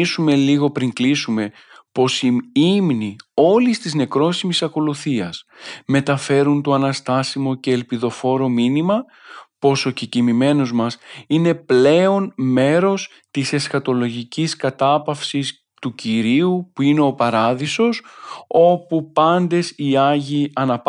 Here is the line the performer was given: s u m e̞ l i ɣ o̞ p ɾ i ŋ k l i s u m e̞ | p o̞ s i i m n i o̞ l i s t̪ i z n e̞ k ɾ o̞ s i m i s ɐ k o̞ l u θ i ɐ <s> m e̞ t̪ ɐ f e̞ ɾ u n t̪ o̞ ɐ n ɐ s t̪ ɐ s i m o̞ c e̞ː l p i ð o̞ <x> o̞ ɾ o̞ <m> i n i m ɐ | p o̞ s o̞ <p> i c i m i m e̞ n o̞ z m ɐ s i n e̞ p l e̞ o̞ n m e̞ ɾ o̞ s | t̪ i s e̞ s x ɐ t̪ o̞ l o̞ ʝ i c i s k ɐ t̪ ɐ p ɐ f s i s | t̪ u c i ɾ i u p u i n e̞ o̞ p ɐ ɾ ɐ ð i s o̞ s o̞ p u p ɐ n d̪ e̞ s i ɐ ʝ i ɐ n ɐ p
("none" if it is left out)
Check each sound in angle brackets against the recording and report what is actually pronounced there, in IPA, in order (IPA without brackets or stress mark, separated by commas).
s, f, m, c